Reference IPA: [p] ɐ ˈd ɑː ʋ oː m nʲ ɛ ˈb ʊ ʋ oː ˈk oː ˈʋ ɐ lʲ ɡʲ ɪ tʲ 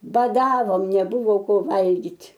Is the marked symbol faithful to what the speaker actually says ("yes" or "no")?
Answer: no